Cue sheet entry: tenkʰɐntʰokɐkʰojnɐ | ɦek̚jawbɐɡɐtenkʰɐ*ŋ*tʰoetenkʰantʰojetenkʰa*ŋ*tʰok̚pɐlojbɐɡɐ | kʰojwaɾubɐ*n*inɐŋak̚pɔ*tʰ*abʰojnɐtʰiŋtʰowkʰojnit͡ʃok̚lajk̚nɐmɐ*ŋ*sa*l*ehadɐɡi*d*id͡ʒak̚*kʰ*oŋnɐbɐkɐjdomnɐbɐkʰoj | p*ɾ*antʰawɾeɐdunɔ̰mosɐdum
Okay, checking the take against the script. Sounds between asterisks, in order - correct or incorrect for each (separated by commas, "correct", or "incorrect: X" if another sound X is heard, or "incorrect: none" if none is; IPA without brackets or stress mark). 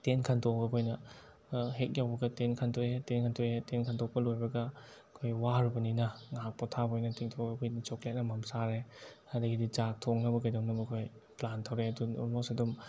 incorrect: n, incorrect: n, correct, correct, incorrect: m, incorrect: ɾ, correct, incorrect: tʰ, incorrect: l